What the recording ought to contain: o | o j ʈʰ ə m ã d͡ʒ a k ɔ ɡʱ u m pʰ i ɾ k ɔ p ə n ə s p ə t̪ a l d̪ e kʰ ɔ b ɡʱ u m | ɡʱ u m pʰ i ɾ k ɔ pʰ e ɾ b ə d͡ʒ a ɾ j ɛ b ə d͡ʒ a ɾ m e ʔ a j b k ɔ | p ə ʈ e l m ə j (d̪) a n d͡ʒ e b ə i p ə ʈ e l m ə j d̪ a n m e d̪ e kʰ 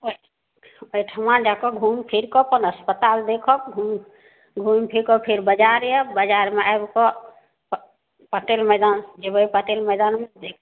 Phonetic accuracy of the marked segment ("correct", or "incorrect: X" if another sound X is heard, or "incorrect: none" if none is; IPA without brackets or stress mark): correct